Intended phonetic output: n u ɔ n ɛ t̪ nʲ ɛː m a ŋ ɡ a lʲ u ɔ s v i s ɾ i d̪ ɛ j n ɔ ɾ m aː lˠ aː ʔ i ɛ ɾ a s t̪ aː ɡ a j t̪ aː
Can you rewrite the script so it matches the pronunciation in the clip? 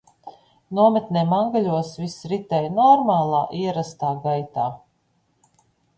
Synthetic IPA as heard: n u ɔ m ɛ t̪ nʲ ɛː m a ŋ ɡ a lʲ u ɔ s v i s ɾ i t̪ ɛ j n ɔ ɾ m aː lˠ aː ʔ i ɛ ɾ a s t̪ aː ɡ a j t̪ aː